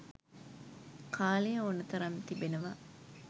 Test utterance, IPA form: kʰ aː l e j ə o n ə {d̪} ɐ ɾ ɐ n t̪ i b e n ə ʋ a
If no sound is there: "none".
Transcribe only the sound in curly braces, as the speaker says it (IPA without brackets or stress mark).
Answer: t̪